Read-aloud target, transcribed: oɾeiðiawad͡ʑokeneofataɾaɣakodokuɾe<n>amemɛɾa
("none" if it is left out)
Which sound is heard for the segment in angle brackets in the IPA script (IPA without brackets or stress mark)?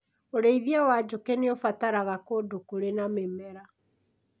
n